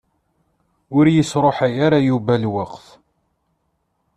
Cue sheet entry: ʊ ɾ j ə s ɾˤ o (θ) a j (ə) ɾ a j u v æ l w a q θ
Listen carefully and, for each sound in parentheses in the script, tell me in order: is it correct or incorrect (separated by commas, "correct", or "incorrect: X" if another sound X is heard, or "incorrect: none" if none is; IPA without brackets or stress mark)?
incorrect: ħ, incorrect: a